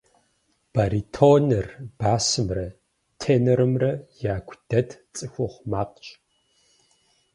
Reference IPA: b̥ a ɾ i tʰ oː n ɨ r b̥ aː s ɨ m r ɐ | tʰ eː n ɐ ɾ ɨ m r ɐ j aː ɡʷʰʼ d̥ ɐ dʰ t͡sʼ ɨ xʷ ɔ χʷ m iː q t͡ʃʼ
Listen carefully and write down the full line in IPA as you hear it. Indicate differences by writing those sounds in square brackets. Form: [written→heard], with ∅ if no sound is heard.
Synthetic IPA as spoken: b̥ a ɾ i tʰ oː n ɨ r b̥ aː s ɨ m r ɐ | tʰ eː n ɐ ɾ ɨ m r ɐ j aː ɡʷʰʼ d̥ ɐ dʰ t͡sʼ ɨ xʷ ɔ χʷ m [iː→aː] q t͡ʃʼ